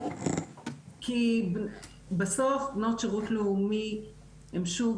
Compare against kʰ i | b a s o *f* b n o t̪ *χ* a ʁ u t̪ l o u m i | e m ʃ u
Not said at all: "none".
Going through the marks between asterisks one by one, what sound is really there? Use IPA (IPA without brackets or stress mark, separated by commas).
f, ʃ